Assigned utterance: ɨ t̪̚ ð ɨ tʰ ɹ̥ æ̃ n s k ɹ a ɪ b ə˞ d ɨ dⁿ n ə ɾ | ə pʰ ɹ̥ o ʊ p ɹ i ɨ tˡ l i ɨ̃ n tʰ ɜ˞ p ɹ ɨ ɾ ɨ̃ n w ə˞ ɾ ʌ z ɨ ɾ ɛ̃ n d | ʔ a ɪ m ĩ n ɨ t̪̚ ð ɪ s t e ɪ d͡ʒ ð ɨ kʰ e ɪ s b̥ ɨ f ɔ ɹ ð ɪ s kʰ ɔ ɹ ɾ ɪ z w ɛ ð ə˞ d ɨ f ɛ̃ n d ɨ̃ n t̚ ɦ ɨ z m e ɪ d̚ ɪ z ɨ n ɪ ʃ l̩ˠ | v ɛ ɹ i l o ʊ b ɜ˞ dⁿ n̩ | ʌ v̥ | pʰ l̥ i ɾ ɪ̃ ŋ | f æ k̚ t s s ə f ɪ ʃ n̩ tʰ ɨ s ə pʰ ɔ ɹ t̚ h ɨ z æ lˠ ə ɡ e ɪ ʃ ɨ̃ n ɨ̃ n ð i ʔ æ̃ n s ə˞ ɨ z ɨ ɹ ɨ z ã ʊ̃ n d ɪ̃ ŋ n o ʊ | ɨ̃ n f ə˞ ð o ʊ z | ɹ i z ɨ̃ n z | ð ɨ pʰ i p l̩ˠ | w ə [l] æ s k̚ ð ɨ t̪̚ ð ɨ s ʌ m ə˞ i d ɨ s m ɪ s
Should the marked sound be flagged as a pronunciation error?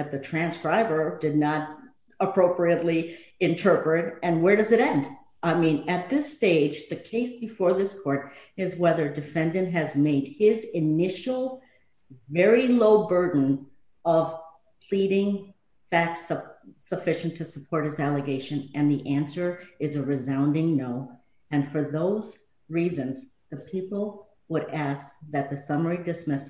yes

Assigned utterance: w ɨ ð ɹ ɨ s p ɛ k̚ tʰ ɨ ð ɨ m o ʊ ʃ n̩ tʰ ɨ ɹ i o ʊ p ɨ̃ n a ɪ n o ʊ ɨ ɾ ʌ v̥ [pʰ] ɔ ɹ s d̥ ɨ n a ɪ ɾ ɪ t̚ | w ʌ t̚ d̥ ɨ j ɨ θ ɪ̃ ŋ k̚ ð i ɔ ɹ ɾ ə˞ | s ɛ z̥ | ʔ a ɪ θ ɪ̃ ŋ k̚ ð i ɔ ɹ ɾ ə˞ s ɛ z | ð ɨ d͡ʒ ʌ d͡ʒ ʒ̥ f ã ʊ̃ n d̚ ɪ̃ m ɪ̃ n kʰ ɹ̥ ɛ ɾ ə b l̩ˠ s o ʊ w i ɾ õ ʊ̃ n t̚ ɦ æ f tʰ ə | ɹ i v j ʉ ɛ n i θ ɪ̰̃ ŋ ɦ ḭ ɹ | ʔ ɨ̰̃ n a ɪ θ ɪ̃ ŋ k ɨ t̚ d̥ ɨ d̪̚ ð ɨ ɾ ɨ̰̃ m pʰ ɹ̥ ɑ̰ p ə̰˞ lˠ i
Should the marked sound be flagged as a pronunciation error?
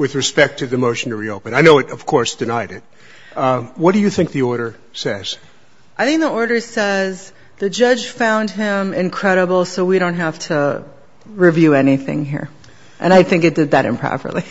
yes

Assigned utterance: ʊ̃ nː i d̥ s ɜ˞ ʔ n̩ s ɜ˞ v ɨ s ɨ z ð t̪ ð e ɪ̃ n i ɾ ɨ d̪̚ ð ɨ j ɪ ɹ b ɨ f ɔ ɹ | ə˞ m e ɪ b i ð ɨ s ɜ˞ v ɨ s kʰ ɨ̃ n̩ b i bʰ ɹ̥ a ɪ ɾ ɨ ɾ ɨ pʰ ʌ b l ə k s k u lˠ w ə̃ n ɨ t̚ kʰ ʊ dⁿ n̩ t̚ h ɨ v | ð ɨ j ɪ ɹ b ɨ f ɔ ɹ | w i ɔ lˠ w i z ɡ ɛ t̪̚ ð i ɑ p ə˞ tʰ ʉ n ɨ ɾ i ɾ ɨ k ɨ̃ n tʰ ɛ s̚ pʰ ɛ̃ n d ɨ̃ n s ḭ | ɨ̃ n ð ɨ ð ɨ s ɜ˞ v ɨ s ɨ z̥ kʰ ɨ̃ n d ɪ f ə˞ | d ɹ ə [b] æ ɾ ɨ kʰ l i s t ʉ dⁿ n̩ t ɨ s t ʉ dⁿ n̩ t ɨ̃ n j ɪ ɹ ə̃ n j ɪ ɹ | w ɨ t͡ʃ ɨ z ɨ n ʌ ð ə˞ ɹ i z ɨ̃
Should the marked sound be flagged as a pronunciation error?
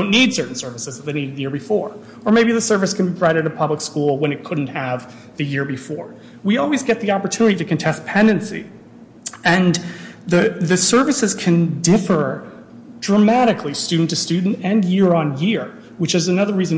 yes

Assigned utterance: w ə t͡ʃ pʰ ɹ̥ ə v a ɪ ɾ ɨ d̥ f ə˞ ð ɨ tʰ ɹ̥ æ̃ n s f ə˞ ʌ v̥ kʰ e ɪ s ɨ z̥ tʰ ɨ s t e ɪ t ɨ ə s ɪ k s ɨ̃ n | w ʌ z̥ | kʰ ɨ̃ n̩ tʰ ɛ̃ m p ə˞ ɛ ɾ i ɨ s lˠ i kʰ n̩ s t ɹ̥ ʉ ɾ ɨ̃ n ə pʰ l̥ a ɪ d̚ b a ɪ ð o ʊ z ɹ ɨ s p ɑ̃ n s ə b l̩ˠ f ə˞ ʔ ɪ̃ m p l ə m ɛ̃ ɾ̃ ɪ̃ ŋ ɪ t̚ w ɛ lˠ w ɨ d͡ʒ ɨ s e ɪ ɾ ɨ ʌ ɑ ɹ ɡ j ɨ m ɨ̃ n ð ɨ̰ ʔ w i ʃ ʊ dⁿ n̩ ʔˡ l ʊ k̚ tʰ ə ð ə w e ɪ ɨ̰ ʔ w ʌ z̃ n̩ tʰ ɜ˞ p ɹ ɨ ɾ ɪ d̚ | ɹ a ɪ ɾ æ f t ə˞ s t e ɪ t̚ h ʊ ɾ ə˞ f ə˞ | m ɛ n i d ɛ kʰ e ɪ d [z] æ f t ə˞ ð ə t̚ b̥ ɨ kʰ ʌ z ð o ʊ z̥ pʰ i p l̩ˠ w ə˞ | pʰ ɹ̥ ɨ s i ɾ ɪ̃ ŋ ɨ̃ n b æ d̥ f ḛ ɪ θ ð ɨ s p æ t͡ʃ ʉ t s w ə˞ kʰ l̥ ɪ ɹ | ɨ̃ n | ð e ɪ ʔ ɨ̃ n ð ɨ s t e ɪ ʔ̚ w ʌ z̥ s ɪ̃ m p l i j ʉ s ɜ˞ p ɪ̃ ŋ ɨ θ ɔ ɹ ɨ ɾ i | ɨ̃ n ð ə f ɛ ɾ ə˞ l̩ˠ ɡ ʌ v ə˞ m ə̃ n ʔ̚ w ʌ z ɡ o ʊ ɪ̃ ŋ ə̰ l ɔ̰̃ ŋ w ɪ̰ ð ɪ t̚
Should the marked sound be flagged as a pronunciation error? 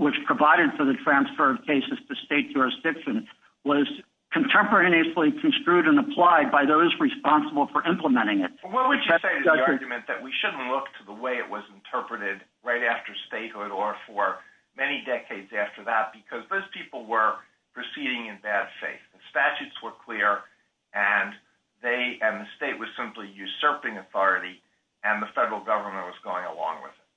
no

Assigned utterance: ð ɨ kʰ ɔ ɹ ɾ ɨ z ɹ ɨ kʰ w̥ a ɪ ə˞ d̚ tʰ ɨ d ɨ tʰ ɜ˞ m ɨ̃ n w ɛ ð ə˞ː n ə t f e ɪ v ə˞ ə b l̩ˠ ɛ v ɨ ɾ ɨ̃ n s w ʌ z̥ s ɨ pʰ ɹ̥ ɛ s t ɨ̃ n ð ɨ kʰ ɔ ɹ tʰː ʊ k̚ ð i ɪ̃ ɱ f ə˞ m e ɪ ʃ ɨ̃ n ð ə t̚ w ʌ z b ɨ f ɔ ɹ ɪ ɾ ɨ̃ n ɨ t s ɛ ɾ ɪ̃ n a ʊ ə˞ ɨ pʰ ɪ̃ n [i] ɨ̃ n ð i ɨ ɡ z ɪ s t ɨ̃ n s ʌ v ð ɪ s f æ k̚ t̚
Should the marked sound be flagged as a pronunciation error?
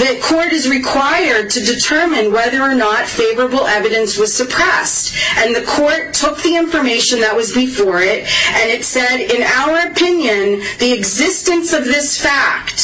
yes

